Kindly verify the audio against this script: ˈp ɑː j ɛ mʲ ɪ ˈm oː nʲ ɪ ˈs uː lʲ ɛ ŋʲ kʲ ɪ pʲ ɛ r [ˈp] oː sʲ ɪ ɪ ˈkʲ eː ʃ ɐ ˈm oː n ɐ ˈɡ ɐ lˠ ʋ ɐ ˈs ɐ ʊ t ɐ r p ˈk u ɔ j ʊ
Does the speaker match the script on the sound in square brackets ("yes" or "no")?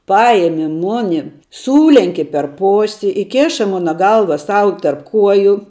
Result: yes